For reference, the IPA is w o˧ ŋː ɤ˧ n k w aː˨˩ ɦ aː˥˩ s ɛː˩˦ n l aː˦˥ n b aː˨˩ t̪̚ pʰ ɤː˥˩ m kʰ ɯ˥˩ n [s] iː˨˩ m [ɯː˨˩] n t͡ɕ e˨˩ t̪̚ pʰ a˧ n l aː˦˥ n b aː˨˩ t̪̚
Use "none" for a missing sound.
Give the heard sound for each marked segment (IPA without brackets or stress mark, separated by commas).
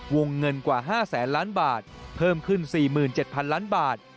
s, ɯː˨˩